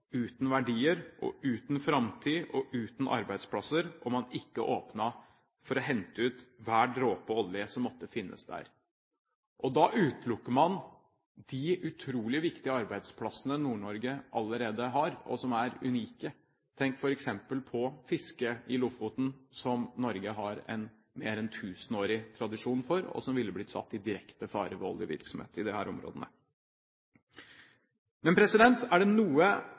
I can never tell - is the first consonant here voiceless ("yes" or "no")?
yes